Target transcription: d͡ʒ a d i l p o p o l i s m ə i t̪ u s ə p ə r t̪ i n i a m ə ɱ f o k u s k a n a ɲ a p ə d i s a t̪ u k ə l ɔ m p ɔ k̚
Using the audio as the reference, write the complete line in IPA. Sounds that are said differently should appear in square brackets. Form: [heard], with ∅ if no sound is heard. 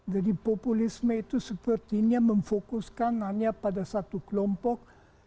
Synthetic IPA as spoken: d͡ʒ a d i [∅] p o p [u] l i s m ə i t̪ u s ə p ə r t̪ i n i a m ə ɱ f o k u s k a n a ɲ a p [a] d [a] s a t̪ u k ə l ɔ m p ɔ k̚